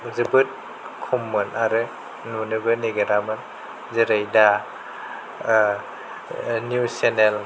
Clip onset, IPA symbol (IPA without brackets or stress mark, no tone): z